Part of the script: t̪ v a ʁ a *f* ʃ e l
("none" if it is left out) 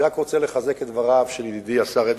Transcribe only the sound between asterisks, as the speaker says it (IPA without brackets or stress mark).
v